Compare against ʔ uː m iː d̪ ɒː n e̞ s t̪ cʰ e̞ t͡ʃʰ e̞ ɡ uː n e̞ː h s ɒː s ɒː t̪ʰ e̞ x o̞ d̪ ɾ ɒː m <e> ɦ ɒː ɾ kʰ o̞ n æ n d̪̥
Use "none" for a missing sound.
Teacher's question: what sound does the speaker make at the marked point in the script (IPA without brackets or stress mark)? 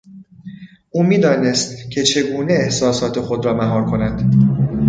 æ